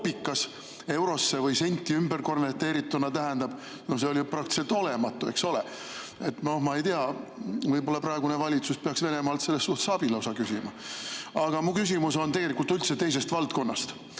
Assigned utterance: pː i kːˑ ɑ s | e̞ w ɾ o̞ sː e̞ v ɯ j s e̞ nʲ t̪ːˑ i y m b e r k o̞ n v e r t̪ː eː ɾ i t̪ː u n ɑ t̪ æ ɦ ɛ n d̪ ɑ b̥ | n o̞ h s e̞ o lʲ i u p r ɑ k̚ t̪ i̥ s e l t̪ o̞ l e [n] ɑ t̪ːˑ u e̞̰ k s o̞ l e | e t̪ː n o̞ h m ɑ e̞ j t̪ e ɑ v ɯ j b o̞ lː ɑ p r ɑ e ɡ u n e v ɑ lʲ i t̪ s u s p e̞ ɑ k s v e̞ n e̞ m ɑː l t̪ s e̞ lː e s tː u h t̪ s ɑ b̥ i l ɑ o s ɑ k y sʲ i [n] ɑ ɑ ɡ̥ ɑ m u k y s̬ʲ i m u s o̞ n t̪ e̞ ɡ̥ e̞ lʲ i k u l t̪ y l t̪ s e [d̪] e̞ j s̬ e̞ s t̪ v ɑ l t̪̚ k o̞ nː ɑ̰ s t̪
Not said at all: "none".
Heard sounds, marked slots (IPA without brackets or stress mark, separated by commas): m, m, t̪